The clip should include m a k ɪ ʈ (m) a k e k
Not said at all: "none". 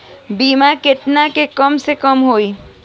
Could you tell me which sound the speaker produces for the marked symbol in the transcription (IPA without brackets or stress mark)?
n